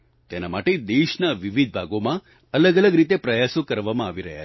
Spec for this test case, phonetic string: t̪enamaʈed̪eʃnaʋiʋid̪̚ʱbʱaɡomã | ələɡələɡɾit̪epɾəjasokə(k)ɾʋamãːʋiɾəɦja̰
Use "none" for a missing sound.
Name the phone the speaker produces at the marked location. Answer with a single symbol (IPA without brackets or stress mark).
none